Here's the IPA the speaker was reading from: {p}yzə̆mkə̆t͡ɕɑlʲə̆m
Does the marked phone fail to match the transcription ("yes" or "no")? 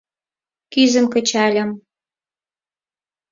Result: yes